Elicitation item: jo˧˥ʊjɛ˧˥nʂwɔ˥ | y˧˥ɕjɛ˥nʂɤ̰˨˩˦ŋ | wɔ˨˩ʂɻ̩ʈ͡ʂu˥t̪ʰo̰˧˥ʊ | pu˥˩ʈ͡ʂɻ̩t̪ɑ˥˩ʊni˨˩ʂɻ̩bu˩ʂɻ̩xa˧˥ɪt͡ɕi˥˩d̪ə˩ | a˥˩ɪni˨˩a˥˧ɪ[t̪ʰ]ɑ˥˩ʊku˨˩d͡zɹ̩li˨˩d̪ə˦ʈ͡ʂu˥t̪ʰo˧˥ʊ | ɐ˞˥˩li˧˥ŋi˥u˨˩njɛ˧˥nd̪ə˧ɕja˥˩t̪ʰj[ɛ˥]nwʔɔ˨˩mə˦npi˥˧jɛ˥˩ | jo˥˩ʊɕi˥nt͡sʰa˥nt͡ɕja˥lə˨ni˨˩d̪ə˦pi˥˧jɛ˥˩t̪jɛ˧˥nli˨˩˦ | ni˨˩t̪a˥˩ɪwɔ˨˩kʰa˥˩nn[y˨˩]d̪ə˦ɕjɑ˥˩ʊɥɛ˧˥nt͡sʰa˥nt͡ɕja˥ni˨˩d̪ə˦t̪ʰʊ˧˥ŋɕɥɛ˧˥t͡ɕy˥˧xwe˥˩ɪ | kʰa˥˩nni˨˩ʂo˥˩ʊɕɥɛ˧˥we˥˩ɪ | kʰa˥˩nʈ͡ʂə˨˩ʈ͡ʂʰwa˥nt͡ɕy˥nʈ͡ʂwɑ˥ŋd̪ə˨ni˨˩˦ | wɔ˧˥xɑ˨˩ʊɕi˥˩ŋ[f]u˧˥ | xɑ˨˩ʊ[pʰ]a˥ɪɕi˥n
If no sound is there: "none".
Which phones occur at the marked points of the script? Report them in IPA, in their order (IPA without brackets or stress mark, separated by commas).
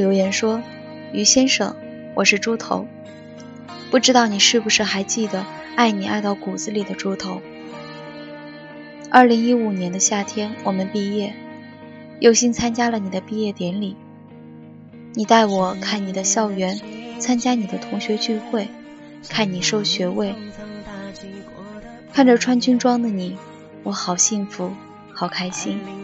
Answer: t̪, ɛ˥, i˨˩, f, kʰ